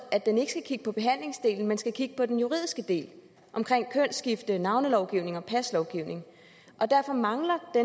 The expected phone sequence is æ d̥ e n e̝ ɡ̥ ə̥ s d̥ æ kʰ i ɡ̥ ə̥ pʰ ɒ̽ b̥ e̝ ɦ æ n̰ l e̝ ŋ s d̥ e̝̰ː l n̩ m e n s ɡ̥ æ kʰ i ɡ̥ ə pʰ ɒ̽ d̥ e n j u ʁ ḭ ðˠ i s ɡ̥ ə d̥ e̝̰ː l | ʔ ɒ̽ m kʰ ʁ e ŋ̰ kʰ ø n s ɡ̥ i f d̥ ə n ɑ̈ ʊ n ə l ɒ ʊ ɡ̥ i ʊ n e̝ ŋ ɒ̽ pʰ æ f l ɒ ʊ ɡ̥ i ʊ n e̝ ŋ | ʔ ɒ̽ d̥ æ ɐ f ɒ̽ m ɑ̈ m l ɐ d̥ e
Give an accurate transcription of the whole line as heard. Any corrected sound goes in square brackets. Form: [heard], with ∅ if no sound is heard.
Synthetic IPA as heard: æ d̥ e n e̝ ɡ̥ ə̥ s [ɡ̥] æ kʰ i ɡ̥ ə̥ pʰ ɒ̽ b̥ e̝ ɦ æ n̰ l e̝ ŋ s d̥ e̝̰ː l n̩ m e n s ɡ̥ æ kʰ i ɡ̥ ə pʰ ɒ̽ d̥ e n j u ʁ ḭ ðˠ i s ɡ̥ ə d̥ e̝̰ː l | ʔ ɒ̽ m kʰ ʁ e ŋ̰ kʰ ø n s ɡ̥ i f d̥ ə n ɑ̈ ʊ n ə l ɒ ʊ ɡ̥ i ʊ n e̝ ŋ ɒ̽ pʰ æ [s] l ɒ ʊ ɡ̥ i ʊ n e̝ ŋ | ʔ ɒ̽ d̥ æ ɐ f ɒ̽ m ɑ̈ [ŋ] l ɐ d̥ e